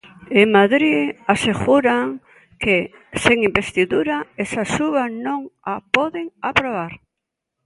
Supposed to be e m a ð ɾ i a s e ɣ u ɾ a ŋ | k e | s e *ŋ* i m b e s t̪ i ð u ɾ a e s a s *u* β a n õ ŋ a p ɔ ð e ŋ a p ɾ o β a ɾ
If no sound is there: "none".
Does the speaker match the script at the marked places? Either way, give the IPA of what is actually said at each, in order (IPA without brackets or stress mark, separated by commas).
ŋ, u